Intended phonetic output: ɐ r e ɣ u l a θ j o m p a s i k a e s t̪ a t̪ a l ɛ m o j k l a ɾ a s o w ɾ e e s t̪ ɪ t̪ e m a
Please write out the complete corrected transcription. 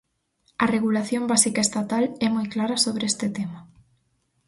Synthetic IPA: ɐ r e ɣ u l a θ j o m b a s i k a e s t̪ a t̪ a l ɛ m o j k l a ɾ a s o β ɾ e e s t̪ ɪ t̪ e m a